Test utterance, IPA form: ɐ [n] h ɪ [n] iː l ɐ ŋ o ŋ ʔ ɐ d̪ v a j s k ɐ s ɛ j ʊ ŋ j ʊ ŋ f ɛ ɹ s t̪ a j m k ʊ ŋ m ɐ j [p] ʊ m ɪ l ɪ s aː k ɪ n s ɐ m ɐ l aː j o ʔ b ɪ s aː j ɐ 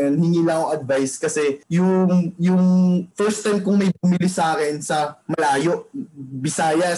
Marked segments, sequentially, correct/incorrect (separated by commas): correct, incorrect, incorrect